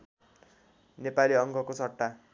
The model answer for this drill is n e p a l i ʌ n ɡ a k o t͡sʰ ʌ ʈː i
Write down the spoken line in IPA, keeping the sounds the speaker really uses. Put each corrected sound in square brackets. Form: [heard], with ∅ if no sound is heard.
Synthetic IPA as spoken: n e p a l i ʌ [ŋ] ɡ [ʌ] k o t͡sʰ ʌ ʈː [a]

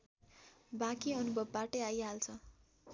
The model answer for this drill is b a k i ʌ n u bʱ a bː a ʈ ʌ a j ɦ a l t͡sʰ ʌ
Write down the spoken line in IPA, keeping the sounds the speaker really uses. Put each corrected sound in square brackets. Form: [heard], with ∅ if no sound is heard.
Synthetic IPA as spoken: b a k i ʌ n u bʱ [ʌ] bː a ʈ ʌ a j ɦ a l t͡sʰ ʌ

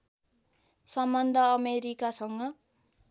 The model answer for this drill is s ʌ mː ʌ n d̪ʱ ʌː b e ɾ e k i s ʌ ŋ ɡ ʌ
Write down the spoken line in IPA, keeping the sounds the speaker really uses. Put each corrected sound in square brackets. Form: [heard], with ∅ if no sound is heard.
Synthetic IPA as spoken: s ʌ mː ʌ n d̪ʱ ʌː [m] e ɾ [i] k [a] s ʌ ŋ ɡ ʌ

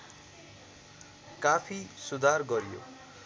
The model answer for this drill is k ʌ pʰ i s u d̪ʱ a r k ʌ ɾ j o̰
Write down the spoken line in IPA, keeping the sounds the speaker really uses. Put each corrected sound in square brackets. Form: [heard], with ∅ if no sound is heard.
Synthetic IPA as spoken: k [a] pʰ i s u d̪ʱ a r [ɡ] ʌ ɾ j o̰

